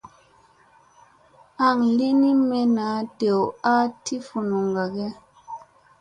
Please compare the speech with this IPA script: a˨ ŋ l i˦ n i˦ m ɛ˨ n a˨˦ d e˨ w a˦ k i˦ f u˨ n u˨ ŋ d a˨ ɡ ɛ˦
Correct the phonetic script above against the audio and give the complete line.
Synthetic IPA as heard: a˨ ŋ l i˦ n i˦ m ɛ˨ n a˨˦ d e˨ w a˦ t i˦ f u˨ n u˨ ŋ ɡ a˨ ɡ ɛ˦